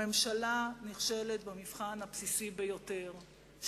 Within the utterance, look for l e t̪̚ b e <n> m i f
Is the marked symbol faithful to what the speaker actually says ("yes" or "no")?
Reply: no